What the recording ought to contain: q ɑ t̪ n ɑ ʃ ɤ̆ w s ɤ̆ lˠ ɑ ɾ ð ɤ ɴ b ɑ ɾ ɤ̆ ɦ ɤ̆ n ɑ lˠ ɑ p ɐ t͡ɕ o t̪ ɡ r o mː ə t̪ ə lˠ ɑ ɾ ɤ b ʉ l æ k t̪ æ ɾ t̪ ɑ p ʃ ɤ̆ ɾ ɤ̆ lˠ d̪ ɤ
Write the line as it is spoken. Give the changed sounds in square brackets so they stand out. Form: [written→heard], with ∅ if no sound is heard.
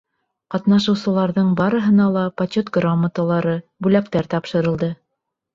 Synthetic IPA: q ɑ t̪ n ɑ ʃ ɤ̆ w s ɤ̆ lˠ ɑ ɾ ð ɤ ɴ b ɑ ɾ ɤ̆ ɦ ɤ̆ n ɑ lˠ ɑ p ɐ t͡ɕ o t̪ ɡ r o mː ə t̪ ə lˠ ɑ ɾ ɤ b ʉ l æ k t̪ æ ɾ t̪ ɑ p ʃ ɤ̆ ɾ ɤ̆ lˠ d̪ ɤ